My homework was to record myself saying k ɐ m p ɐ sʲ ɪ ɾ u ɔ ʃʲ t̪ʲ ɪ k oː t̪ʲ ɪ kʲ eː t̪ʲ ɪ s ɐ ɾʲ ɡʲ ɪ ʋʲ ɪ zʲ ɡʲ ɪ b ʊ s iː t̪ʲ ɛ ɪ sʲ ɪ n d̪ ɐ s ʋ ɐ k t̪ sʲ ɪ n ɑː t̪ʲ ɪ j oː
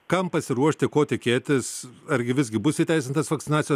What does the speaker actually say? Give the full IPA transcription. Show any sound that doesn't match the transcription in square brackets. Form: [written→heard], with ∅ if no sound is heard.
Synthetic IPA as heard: k ɐ m p ɐ sʲ ɪ ɾ u ɔ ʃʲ t̪ʲ ɪ k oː t̪ʲ ɪ kʲ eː t̪ʲ ɪ s ɐ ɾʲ ɡʲ ɪ ʋʲ ɪ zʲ ɡʲ ɪ b ʊ s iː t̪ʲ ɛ ɪ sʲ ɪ n [d̪→t̪] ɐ s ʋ ɐ k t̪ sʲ ɪ n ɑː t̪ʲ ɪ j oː